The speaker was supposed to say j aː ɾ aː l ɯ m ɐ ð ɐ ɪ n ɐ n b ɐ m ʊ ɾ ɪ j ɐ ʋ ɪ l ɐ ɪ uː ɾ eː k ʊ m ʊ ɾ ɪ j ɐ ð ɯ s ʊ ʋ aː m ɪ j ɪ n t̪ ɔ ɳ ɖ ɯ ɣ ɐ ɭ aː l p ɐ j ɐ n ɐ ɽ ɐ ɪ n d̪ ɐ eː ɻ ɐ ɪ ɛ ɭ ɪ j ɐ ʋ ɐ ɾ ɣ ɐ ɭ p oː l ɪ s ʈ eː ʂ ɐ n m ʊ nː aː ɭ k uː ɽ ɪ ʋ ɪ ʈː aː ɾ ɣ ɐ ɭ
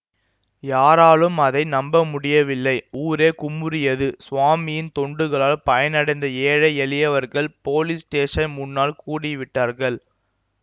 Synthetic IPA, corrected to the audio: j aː ɾ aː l ɯ m ɐ ð ɐ ɪ n ɐ m b ɐ m ʊ ɽ ɪ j ɐ ʋ ɪ lː ɐ ɪ uː ɾ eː k ʊ m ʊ ɾ ɪ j ɐ ð ɯ s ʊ ʋ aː m ɪ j ɪ n t̪ ɔ ɳ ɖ ɯ ɣ ɐ ɭ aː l p ɐ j ɐ n ɐ ɽ ɐ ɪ n d̪ ɐ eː ɻ ɐ ɪ ɛ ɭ ɪ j ɐ ʋ ɐ ɾ ɣ ɐ ɭ p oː l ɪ s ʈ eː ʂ ɐ n m ʊ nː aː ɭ k uː ɽ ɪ ʋ ɪ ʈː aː ɾ ɣ ɐ ɭ